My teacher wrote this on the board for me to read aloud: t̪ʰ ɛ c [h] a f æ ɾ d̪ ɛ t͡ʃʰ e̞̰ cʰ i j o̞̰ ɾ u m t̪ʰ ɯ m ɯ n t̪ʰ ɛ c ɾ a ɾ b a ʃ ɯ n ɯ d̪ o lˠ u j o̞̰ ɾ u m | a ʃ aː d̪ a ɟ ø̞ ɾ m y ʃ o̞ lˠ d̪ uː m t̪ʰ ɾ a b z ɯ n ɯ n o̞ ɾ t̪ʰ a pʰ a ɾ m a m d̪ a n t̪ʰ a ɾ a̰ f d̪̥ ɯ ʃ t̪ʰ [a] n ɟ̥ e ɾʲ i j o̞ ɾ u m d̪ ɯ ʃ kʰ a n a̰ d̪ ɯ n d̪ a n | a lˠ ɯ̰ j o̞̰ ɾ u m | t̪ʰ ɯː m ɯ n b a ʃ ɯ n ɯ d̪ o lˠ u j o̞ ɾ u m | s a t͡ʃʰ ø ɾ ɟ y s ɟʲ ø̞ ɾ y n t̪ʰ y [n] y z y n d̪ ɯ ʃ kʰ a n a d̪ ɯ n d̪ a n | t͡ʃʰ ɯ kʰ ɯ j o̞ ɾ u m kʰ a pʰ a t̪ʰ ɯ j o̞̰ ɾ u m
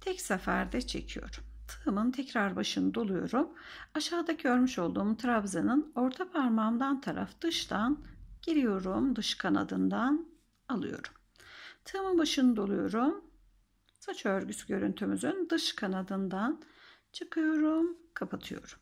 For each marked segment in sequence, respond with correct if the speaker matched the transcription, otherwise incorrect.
incorrect: s, correct, incorrect: m

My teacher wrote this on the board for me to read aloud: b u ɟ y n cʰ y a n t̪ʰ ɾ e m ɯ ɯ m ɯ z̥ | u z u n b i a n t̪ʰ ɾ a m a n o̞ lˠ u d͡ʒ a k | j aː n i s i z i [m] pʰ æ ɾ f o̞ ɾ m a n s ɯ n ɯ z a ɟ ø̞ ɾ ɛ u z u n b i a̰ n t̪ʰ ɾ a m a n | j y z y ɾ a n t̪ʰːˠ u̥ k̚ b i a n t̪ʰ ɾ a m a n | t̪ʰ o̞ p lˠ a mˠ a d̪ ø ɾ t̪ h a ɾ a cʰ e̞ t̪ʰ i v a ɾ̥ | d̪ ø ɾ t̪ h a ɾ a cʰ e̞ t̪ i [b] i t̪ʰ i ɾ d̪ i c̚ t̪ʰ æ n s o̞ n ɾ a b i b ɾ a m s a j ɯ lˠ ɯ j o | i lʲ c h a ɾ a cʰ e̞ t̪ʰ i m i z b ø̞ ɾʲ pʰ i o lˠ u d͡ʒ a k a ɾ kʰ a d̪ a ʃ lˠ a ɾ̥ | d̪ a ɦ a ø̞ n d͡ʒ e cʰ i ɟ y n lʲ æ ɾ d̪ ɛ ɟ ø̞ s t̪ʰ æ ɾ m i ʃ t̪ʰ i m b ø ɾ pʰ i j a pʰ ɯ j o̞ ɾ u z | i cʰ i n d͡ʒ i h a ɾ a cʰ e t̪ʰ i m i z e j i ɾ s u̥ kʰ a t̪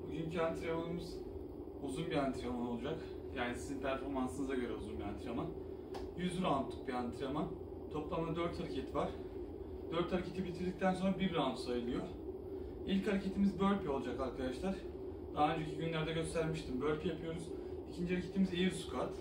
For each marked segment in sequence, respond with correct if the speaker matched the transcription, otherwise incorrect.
incorrect: n, correct

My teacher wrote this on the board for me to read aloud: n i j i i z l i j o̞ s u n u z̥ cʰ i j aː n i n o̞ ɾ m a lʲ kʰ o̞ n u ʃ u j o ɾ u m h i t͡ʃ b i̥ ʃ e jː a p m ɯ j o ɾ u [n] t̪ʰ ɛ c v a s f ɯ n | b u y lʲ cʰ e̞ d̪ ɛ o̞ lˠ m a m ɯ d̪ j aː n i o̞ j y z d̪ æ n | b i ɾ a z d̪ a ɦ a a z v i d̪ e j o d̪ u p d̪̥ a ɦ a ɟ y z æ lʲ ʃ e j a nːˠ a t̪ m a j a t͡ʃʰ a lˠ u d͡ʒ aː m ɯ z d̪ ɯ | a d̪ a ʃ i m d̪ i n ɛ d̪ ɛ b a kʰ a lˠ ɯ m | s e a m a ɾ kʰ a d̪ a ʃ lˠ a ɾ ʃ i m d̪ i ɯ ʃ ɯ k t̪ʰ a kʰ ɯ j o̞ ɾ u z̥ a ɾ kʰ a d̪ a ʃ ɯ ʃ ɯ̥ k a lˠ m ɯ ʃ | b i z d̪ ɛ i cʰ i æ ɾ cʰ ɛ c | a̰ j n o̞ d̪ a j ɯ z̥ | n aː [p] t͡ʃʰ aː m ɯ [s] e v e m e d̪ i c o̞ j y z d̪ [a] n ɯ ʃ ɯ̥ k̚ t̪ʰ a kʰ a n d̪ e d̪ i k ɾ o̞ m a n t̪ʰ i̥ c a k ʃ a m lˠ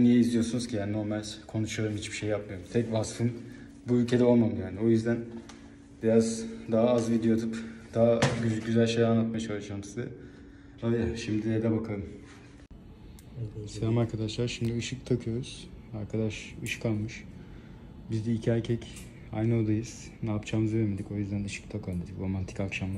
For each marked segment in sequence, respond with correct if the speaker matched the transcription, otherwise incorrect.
incorrect: m, correct, incorrect: z, incorrect: æ

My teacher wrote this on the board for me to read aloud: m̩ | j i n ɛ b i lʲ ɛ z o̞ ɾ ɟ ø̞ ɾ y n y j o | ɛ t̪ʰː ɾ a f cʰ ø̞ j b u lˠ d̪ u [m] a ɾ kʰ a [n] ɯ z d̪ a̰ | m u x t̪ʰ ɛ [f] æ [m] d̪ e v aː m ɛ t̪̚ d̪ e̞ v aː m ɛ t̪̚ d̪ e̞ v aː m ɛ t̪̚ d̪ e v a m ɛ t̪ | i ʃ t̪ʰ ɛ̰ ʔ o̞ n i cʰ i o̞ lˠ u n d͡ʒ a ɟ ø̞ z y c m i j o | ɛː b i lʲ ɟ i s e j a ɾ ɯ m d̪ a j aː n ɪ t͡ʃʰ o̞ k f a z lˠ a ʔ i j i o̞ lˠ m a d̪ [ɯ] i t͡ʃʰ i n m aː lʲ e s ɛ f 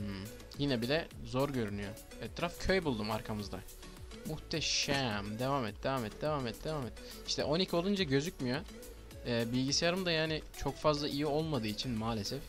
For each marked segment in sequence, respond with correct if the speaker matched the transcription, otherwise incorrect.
correct, incorrect: m, incorrect: ʃ, correct, incorrect: ɯː

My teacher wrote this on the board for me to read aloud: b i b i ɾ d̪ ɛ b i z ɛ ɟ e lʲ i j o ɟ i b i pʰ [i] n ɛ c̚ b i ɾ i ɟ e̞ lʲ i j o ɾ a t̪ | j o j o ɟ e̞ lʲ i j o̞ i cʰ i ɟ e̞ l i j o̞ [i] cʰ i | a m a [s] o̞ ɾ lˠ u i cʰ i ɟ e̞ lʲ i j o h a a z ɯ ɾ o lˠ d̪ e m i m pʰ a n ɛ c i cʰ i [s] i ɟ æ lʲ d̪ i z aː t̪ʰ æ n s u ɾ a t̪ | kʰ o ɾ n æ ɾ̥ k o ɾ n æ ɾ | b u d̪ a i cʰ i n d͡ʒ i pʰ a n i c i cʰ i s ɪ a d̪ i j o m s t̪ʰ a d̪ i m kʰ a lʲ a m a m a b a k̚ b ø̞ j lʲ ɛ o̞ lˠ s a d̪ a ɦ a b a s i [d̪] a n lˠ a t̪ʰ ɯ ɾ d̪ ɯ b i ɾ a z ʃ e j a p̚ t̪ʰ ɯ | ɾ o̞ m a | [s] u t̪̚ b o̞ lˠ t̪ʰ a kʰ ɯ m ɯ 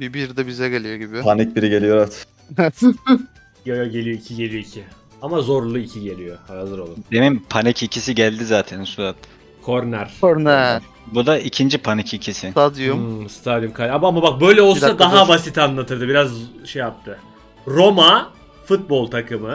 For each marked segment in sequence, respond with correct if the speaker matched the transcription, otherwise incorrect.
incorrect: a, correct, incorrect: z, correct, incorrect: t̪, incorrect: f

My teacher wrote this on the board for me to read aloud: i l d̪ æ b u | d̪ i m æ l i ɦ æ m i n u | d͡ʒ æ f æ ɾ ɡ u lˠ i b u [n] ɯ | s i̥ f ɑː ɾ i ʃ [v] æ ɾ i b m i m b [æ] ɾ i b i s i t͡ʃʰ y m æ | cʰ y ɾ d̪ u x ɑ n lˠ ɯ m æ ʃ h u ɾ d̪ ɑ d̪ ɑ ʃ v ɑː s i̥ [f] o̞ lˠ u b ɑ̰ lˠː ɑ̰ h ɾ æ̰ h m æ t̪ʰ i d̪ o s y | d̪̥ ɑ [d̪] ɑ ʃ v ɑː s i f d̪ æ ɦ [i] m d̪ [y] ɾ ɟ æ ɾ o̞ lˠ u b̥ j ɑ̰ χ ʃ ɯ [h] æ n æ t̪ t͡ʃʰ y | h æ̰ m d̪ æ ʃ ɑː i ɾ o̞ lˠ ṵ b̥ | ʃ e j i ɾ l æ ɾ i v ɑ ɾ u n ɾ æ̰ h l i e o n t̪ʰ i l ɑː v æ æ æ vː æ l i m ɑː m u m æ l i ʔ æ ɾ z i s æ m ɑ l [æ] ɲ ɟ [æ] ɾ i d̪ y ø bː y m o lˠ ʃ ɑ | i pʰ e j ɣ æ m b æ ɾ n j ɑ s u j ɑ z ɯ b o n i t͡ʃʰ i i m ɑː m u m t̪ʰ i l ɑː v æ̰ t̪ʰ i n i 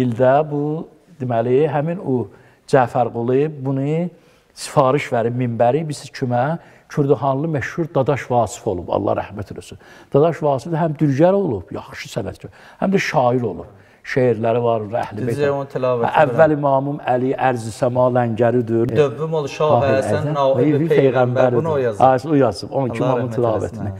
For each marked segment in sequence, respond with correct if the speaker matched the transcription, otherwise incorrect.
correct, correct, correct, correct, correct, incorrect: æ, correct, incorrect: s, correct, correct

